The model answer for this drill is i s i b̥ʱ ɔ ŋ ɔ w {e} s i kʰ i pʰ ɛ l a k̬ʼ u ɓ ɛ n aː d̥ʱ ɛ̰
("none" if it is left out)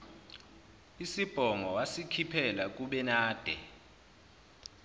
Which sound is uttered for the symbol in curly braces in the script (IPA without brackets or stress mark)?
a